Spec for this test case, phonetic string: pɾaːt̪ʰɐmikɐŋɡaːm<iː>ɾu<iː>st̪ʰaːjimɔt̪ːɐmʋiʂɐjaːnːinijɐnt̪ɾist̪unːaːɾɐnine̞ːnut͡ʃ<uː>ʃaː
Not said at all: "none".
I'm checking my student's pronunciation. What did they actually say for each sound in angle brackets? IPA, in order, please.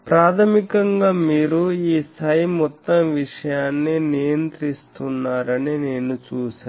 iː, iː, uː

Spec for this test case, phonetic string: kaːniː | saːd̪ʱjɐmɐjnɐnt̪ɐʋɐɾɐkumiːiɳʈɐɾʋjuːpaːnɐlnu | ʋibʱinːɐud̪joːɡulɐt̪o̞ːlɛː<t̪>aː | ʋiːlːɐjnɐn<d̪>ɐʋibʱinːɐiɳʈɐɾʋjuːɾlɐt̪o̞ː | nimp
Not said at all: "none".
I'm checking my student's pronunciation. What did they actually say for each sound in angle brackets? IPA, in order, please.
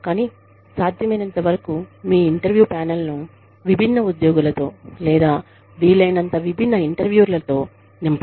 d̪, t̪

